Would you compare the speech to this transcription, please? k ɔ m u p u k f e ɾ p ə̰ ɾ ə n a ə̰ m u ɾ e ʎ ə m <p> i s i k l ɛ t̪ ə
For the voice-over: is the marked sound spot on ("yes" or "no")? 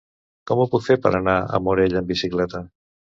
no